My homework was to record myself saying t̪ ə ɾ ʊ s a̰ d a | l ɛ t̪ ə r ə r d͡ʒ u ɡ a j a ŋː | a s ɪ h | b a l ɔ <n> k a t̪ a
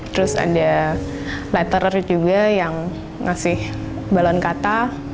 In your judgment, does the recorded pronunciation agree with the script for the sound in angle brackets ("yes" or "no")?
yes